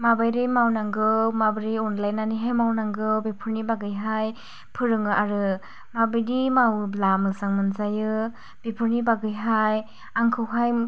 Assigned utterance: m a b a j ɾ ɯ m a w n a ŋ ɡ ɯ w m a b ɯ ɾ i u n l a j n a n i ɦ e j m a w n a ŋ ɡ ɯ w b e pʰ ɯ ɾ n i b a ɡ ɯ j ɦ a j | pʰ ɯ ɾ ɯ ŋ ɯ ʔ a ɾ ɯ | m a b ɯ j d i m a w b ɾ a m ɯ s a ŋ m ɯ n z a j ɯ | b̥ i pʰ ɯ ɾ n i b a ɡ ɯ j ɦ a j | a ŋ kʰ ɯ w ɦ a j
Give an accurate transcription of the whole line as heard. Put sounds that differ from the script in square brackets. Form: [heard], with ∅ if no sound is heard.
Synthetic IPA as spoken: m a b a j ɾ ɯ m a w n a ŋ ɡ ɯ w m a b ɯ ɾ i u n l a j n a n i ɦ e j m a w n a ŋ ɡ ɯ w b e pʰ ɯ ɾ n i b a ɡ ɯ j ɦ a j | pʰ ɯ ɾ ɯ ŋ ɯ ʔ a ɾ ɯ | m a b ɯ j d i m a w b [l] a m ɯ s a ŋ m ɯ n z a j ɯ | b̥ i pʰ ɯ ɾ n i b a ɡ ɯ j ɦ a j | a ŋ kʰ ɯ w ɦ a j

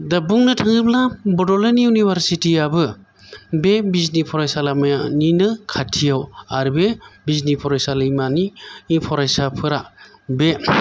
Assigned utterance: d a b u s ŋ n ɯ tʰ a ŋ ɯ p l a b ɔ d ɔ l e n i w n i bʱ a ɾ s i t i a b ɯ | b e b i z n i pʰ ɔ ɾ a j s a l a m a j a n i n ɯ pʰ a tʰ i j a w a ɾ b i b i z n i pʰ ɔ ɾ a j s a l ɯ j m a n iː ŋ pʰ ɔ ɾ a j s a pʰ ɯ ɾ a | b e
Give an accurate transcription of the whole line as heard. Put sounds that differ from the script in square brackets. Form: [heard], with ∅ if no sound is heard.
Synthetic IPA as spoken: d a b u [∅] ŋ n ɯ tʰ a ŋ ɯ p l a b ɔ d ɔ l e n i [u] n i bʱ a ɾ s i t i a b ɯ | b e b i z n i pʰ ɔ ɾ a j s a l a m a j a n i n ɯ [kʰ] a tʰ i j a w a ɾ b [e] b i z n i pʰ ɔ ɾ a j s a l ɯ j m a n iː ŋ pʰ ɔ ɾ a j s a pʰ ɯ ɾ a | b e

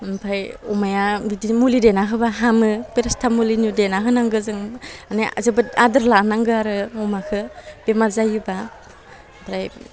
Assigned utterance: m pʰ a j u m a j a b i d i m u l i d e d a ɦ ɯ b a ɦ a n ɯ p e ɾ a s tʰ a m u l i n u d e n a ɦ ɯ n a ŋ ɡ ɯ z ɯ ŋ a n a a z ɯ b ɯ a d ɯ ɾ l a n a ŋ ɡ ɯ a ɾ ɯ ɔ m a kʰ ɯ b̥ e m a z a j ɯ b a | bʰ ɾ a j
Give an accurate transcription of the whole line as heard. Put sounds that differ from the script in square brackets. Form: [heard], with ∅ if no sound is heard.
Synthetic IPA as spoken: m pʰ a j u m a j a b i d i m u l i d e [n] a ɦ ɯ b a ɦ a [m] ɯ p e ɾ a s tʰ a m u l i n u d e n a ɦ ɯ n a ŋ ɡ ɯ z ɯ ŋ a n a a z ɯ b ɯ a d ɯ ɾ l a n a ŋ ɡ ɯ a ɾ ɯ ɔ m a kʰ ɯ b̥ e m a z a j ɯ b a | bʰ ɾ a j

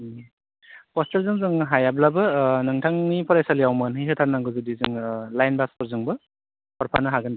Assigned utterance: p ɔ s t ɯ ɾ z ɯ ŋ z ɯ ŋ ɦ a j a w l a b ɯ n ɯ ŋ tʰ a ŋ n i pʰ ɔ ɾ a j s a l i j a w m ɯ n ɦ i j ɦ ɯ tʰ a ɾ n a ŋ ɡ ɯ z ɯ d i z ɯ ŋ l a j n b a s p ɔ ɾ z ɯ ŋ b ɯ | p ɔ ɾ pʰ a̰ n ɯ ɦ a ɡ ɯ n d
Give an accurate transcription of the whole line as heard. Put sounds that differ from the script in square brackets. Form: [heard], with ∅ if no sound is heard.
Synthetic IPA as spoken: p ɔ s t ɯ ɾ z ɯ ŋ z ɯ ŋ ɦ a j a [b] l a b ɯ n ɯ ŋ tʰ a ŋ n i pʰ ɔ ɾ a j s a l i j a w m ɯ n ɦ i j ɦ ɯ tʰ a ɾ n a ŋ ɡ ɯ z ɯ d i z ɯ ŋ l a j n b a s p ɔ ɾ z ɯ ŋ b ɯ | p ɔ ɾ pʰ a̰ n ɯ ɦ a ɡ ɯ n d

